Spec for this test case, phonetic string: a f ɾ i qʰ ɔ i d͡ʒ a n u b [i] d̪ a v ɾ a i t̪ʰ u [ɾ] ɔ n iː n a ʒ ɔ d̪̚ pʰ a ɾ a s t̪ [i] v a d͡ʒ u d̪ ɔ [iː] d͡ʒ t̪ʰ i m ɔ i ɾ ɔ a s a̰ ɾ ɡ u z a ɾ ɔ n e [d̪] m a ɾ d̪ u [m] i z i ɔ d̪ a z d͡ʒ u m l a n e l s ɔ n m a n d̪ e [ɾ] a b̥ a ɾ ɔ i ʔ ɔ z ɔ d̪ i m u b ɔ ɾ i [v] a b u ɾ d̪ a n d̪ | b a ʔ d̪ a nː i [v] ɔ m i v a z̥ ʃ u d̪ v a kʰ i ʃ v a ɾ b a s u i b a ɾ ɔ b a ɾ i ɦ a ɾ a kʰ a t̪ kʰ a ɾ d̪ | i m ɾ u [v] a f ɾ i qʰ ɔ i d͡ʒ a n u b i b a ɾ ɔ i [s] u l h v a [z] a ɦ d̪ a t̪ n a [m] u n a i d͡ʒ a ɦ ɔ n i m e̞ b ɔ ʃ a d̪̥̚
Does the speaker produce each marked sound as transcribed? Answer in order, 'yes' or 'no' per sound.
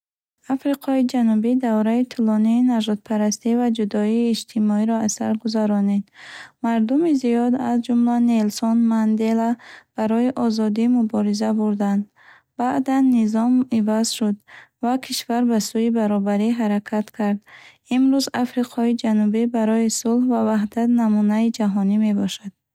yes, no, yes, yes, yes, yes, no, no, no, no, yes, no, yes

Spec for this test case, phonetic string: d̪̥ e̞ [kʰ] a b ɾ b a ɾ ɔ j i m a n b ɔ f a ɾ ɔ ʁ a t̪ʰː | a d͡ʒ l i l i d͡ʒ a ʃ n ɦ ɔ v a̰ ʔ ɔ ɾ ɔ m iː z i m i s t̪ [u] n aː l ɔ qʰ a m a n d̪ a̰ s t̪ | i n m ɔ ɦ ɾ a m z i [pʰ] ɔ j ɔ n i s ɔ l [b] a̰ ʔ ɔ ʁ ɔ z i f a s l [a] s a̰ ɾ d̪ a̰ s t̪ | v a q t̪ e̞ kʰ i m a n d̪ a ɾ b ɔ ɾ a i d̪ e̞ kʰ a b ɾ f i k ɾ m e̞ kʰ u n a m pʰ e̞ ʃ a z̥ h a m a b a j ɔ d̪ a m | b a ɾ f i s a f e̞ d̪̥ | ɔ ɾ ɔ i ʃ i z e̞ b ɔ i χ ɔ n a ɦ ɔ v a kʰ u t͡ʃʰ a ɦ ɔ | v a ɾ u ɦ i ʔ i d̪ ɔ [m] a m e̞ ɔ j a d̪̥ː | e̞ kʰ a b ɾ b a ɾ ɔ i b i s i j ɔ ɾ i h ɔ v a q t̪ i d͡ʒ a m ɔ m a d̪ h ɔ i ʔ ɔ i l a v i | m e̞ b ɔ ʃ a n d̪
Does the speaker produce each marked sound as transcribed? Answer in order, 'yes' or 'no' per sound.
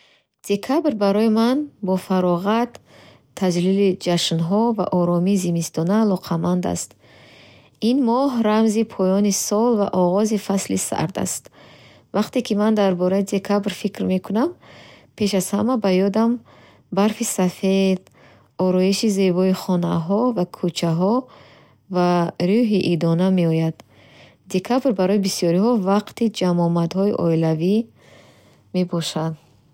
yes, no, yes, no, no, no

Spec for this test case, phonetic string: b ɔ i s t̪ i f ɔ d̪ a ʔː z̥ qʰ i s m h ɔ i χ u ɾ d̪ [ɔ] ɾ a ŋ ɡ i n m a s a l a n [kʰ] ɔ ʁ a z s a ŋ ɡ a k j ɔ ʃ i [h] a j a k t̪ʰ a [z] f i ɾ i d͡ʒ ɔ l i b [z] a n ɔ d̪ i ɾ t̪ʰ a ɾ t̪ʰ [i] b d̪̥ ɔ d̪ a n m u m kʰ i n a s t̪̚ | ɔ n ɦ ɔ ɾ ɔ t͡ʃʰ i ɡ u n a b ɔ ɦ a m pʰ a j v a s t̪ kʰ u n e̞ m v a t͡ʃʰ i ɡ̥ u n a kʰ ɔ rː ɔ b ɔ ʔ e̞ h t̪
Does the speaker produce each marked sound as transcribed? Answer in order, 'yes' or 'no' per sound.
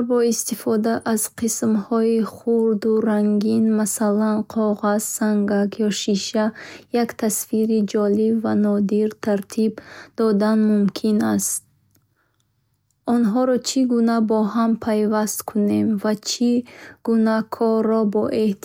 no, no, no, no, no, yes

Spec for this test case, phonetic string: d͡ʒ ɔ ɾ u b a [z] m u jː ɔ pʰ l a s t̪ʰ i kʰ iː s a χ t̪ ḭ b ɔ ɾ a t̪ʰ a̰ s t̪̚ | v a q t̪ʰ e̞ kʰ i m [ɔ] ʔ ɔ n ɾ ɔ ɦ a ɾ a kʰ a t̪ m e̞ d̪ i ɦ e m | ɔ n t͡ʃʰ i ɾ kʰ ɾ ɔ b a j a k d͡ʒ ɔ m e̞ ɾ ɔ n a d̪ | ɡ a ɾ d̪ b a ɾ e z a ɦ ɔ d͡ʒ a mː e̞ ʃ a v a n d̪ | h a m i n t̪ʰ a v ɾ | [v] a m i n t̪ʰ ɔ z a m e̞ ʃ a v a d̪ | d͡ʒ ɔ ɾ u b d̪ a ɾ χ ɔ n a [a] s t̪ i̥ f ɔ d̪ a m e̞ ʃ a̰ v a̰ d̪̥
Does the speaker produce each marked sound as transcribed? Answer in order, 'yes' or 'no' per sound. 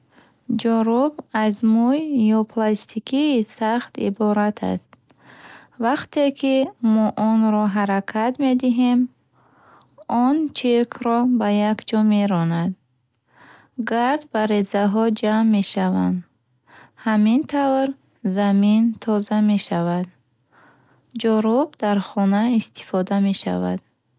yes, yes, no, no

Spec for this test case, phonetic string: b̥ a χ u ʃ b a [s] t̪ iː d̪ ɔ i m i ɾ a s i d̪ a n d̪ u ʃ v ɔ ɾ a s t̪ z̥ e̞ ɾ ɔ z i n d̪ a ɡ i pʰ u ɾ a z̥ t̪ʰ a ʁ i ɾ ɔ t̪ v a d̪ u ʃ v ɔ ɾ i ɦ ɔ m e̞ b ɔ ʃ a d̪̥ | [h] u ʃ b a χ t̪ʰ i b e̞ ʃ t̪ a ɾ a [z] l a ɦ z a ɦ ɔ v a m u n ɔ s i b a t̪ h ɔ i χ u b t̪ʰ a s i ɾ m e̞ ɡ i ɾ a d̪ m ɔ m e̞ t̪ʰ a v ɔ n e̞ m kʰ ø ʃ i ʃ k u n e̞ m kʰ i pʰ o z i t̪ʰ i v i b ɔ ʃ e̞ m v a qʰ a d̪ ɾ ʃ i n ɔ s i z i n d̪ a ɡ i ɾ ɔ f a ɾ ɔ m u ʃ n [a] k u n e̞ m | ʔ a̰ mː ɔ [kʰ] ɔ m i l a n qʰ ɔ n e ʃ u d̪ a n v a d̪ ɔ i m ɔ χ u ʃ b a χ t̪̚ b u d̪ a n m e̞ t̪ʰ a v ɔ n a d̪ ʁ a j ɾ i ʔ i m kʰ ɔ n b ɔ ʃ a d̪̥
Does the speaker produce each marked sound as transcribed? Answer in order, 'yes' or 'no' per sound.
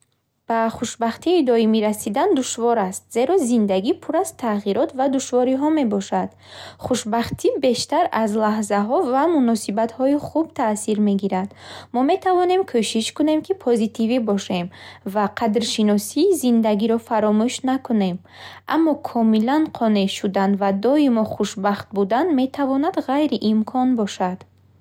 no, no, yes, yes, yes

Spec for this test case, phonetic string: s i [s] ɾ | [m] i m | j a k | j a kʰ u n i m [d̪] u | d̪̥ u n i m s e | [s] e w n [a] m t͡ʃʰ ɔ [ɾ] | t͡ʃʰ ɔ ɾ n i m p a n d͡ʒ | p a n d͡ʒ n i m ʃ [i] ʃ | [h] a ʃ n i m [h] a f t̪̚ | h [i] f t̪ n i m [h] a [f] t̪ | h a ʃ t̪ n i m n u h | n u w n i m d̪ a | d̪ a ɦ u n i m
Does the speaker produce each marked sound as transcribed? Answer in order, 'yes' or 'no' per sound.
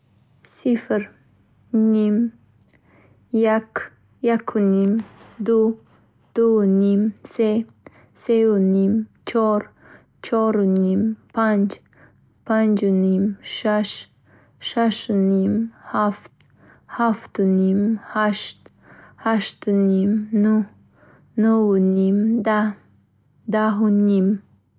no, no, yes, yes, no, yes, no, no, yes, no, yes, no

